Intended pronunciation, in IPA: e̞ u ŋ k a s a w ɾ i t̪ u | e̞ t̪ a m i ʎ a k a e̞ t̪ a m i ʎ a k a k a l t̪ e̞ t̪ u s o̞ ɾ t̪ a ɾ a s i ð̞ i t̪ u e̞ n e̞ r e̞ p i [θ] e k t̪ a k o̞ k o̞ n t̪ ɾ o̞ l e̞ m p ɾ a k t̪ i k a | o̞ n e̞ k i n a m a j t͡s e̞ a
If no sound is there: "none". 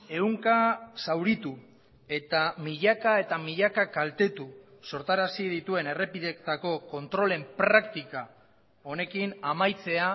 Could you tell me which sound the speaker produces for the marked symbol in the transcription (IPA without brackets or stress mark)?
ð